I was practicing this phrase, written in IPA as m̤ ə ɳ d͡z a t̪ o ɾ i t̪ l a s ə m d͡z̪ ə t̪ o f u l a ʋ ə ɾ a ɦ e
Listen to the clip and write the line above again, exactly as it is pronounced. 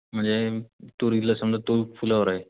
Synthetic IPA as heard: m̤ ə ɳ d͡z e t̪ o ɾ i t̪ l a s ə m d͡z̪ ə t̪ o f u l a ʋ ə ɾ a ɦ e